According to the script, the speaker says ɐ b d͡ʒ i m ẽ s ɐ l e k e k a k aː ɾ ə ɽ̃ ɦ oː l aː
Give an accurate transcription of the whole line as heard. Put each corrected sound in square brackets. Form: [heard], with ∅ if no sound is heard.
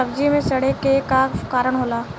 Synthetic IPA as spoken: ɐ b d͡ʒ i m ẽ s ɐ [ɽ] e k e k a k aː ɾ ə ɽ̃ ɦ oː l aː